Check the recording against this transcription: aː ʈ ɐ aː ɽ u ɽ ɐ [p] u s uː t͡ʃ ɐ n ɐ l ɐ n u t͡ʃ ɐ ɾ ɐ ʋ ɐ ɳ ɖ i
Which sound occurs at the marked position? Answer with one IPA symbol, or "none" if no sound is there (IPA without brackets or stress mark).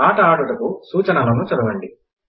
k